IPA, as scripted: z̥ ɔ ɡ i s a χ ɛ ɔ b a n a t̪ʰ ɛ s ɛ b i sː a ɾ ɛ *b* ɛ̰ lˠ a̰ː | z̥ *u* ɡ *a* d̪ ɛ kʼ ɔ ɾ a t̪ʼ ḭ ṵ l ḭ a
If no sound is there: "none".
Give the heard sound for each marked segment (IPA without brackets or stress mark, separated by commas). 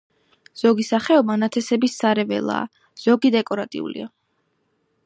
v, ɔ, i